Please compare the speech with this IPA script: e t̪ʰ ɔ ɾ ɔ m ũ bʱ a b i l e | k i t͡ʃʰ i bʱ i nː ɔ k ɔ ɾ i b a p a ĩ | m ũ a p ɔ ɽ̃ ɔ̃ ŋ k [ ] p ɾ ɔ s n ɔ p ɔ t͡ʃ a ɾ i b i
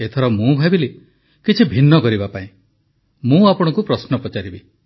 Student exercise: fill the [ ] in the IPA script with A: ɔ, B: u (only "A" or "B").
B